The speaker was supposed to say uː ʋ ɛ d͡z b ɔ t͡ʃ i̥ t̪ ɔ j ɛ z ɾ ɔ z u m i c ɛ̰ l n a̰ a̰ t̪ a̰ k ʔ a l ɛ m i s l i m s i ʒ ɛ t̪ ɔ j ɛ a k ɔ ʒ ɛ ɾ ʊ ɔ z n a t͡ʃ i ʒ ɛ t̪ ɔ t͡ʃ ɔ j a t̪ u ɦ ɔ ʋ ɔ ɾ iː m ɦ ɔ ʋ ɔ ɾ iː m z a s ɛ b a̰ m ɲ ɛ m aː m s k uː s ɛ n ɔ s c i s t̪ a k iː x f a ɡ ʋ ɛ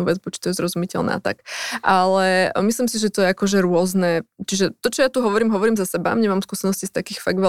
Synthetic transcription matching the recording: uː ʋ ɛ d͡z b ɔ t͡ʃ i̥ t̪ ɔ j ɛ z ɾ ɔ z u m i c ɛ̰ l n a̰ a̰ t̪ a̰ k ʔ a l ɛ m i s l i m s i ʒ ɛ t̪ ɔ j ɛ a k ɔ ʒ ɛ ɾ ʊ ɔ z n ɛ t͡ʃ i ʒ ɛ t̪ ɔ t͡ʃ ɔ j a t̪ u ɦ ɔ ʋ ɔ ɾ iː m ɦ ɔ ʋ ɔ ɾ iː m z a s ɛ b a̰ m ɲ ɛ m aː m s k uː s ɛ n ɔ s c i s t̪ a k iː x f a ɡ ʋ ɛ